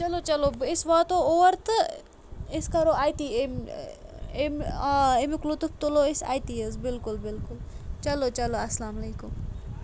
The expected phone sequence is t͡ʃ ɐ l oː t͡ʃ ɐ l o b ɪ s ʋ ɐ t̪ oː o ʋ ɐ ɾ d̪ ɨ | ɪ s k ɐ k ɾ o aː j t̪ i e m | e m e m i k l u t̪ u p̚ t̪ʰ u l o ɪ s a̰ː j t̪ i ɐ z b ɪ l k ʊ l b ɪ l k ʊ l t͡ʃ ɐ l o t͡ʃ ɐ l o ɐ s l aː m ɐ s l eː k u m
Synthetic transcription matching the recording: t͡ʃ ɐ l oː t͡ʃ ɐ l o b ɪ s ʋ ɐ t̪ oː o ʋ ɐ ɾ t̪ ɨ | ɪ s k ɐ ɾ o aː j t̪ i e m | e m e m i k l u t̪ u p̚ t̪ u l o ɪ s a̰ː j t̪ i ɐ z b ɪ l k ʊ l b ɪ l k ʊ l t͡ʃ ɐ l o t͡ʃ ɐ l o ɐ s l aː m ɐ l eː k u m

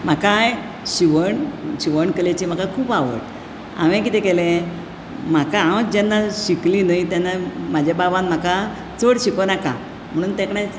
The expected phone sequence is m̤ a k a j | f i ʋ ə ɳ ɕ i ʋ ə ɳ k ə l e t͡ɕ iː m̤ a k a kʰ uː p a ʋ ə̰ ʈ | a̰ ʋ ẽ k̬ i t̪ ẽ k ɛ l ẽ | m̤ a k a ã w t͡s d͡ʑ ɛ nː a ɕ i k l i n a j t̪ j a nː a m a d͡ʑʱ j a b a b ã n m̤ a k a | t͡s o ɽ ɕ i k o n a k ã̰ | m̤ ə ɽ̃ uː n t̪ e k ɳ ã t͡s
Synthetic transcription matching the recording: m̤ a k a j | ɕ i ʋ ə ɳ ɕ i ʋ ə ɳ k ə l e t͡ɕ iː m̤ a k a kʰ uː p a ʋ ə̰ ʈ | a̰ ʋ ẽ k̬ i t̪ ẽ k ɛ l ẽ | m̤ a k a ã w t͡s d͡ʑ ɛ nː a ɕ i k l i n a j t̪ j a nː a m a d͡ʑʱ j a b a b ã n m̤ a k a | t͡s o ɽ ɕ i k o n a k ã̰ | m̤ ə ɽ̃ uː n t̪ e k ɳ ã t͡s

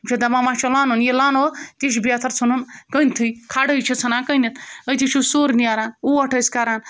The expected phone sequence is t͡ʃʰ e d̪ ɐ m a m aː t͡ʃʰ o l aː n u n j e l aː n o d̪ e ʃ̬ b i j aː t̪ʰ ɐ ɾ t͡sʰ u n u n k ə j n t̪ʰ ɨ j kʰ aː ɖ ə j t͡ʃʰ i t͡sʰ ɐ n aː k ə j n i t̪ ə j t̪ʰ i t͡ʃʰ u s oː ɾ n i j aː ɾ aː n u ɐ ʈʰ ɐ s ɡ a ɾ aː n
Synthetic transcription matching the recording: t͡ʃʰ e d̪ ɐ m a m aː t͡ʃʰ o l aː n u n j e l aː n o t̪ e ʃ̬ b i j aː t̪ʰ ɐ ɾ t͡sʰ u n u n k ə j n t̪ʰ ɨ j kʰ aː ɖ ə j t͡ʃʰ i t͡sʰ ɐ n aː k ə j n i t̪ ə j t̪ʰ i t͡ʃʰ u s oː ɾ n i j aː ɾ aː n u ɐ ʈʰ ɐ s k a ɾ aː n

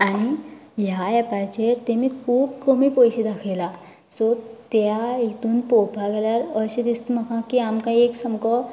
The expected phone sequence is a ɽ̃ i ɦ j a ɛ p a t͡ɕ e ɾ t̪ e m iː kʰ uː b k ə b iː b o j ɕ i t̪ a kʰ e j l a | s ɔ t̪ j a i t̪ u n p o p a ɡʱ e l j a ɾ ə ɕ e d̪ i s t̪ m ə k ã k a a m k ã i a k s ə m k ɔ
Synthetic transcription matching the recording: a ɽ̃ i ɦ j a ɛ p a t͡ɕ e ɾ t̪ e m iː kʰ uː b k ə m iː p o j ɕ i d̪ a kʰ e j l a | s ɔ t̪ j a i t̪ uː n p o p a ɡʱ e l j a ɾ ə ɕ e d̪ i s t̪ m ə k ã k i a m k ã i e k s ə m k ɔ

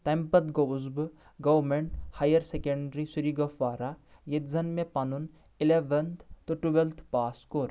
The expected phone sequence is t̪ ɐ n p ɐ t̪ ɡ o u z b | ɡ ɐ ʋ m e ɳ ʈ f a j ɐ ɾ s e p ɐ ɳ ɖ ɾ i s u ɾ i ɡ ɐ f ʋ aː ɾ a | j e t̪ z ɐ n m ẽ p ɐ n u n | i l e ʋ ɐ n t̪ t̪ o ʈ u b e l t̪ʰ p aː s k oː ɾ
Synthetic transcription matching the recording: t̪ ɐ m p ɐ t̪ ɡ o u z b | ɡ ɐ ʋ m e ɳ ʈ h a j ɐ ɾ s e k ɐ ɳ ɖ ɾ i s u ɾ i ɡ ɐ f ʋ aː ɾ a | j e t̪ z ɐ n m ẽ p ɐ n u n | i l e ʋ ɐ n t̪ t̪ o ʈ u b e l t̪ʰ p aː s k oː ɾ

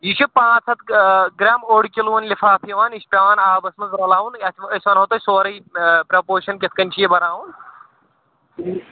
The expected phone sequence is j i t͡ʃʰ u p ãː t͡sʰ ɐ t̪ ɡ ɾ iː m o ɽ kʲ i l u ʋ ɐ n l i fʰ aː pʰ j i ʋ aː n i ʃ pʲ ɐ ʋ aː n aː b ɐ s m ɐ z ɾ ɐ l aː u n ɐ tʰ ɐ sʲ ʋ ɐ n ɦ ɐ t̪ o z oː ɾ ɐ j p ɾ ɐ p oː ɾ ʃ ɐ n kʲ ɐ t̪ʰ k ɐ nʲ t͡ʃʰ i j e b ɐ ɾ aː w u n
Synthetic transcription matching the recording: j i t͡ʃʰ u p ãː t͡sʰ ɐ t̪ ɡ ɾ aː m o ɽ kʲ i l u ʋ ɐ n l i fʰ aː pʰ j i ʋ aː n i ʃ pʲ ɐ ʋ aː n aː b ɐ s m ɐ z ɾ ɐ l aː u n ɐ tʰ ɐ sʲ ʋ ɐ n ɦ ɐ t̪ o s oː ɾ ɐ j p ɾ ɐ p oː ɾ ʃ ɐ n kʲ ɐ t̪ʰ k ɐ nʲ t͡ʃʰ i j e b ɐ ɾ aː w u n

